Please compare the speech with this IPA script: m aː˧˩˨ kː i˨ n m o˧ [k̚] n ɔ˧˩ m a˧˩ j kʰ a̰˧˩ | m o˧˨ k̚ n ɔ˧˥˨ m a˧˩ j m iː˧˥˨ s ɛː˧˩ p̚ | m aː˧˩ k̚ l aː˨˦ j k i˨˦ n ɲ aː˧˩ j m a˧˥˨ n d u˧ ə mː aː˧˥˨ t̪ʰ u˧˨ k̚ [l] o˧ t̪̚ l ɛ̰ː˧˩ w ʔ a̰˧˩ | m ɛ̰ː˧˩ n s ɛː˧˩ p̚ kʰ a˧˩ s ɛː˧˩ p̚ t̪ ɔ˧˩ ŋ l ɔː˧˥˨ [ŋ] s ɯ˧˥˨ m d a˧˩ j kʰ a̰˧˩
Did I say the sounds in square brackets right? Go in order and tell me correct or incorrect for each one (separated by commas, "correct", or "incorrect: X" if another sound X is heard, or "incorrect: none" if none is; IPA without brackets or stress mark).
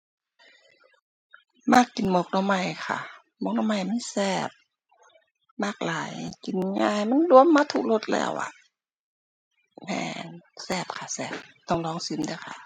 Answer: correct, correct, correct